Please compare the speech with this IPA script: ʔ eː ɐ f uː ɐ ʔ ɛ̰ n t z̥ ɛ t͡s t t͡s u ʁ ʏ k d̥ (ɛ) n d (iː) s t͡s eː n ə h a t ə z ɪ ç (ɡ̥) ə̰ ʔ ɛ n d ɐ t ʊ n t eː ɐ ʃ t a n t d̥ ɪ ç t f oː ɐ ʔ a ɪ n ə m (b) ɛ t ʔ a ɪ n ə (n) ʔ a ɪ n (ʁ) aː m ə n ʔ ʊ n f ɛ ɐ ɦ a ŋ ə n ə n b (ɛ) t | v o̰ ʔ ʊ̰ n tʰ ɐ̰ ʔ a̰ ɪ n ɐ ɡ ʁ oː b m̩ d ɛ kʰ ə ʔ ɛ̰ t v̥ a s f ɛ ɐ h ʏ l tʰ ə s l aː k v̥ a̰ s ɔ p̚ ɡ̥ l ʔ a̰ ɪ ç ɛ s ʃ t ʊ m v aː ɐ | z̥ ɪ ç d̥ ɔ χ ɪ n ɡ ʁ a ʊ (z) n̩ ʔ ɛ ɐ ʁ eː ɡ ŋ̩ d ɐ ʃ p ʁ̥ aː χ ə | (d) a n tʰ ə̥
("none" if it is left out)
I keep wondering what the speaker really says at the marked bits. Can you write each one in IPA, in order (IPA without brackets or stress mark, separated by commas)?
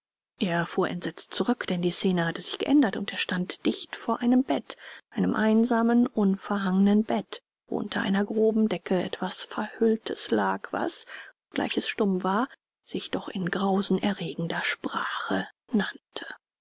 ɛ, iː, ɡ̥, b, m, z, ɛ, z, n